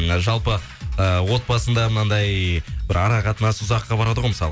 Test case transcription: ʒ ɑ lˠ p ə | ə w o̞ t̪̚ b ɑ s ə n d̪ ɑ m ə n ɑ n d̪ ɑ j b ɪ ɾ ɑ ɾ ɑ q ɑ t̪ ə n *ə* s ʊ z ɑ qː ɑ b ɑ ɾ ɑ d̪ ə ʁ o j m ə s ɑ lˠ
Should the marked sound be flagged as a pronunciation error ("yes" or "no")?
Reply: yes